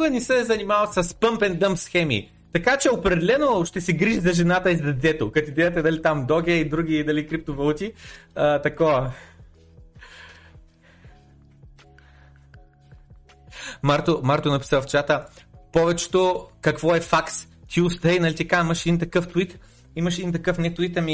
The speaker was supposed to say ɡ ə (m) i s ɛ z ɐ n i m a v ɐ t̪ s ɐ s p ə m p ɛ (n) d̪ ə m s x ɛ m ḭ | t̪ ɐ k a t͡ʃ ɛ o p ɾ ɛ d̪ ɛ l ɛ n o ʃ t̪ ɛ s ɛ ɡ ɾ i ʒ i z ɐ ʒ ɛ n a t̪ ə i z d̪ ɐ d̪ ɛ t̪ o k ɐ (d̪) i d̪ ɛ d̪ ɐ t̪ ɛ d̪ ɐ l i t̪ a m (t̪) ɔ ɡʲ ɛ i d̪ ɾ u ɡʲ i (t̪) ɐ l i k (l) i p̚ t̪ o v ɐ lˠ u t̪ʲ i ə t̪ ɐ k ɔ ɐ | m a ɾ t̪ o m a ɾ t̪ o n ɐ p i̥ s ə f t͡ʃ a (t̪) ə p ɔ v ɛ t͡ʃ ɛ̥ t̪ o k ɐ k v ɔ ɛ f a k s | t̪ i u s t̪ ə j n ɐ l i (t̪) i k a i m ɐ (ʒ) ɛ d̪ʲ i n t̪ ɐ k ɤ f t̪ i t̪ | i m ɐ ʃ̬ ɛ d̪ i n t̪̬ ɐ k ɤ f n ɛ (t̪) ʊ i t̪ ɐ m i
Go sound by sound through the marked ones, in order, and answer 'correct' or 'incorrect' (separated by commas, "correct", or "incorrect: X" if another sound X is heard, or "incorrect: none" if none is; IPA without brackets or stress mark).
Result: incorrect: n, correct, incorrect: t̪, incorrect: d̪, incorrect: d̪, incorrect: ɾ, correct, correct, incorrect: ʃ, correct